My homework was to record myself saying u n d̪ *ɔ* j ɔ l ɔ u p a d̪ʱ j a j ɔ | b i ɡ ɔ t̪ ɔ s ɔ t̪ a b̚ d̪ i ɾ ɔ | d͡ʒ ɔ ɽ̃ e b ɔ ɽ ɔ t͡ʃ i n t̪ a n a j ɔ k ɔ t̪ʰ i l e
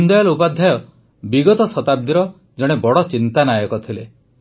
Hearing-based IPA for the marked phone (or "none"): ɔ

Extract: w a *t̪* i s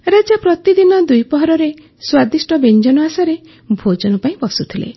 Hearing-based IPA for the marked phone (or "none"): d̪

